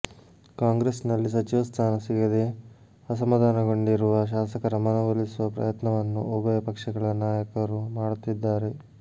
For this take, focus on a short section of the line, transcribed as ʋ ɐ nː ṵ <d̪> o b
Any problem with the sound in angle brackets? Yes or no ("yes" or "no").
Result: yes